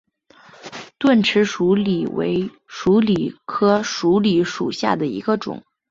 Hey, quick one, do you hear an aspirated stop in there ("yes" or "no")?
yes